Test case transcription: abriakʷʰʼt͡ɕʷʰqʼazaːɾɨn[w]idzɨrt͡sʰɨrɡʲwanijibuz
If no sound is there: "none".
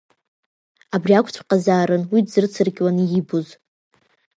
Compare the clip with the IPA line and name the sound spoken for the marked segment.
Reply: w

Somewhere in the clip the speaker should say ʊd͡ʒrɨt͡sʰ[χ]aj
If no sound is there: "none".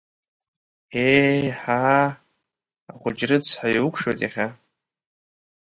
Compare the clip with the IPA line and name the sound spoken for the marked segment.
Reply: ħ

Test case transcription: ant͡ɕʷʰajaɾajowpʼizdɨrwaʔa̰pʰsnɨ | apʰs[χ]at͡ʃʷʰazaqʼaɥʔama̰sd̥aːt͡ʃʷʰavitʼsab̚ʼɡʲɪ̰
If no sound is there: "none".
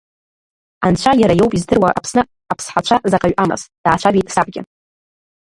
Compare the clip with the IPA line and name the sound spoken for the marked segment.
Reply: ħ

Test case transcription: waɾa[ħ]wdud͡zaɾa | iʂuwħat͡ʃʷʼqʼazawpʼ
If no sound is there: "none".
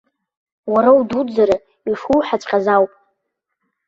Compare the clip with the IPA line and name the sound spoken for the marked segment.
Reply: none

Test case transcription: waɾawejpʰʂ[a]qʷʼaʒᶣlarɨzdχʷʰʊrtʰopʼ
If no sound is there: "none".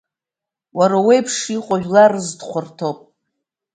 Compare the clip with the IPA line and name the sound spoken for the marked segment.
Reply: i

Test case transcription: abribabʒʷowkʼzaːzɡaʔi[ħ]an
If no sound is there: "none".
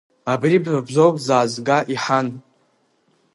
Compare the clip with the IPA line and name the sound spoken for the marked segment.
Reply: ħ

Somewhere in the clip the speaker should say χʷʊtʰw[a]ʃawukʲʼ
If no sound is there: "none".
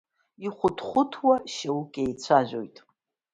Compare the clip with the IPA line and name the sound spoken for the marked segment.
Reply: a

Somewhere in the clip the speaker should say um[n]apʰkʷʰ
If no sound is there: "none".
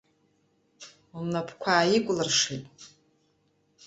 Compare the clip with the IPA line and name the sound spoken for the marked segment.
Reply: n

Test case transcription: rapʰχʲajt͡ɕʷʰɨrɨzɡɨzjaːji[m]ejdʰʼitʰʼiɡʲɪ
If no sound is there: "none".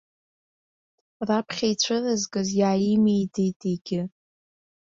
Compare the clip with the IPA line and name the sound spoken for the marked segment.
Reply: m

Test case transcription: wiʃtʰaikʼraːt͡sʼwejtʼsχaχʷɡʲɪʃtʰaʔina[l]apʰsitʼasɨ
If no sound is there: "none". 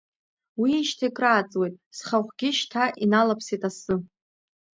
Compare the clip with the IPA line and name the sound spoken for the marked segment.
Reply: l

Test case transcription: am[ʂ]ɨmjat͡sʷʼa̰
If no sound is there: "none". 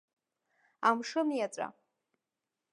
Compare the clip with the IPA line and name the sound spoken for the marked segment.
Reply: ʂ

